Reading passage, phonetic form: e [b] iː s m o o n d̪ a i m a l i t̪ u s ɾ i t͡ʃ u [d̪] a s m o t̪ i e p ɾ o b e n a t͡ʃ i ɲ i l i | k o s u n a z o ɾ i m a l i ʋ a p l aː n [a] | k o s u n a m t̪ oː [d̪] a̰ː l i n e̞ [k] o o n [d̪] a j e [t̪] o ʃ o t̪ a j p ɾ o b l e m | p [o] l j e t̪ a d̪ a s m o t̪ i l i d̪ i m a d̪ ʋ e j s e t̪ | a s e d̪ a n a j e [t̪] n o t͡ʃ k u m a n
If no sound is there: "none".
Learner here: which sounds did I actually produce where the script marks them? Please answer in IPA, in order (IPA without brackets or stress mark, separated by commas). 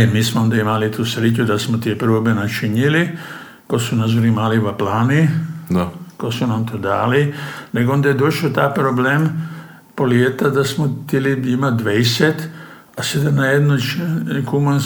m, d̪, i, d̪, ɡ, d̪, d̪, o, d̪